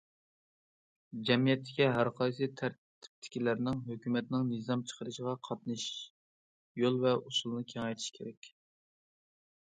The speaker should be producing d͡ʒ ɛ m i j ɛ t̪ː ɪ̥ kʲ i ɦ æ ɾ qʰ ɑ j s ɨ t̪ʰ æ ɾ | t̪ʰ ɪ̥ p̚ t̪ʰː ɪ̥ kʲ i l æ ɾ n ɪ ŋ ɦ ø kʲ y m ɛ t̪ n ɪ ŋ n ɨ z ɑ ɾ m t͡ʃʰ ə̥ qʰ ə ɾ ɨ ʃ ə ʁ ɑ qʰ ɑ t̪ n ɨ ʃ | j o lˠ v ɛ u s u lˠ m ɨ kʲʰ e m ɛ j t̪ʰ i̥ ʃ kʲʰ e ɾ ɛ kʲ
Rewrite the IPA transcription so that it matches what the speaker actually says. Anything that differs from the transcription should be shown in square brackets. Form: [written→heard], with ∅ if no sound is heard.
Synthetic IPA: d͡ʒ ɛ m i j ɛ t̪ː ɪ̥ kʲ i ɦ æ ɾ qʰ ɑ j s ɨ t̪ʰ æ ɾ | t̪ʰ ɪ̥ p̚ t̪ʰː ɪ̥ kʲ i l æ ɾ n ɪ ŋ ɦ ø kʲ y m ɛ t̪ n ɪ ŋ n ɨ z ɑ [ɾ→∅] m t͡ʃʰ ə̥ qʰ ə ɾ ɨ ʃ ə ʁ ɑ qʰ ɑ t̪ n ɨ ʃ | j o lˠ v ɛ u s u lˠ [m→n] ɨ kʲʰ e [m→ŋ] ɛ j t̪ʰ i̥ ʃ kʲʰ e ɾ ɛ kʲ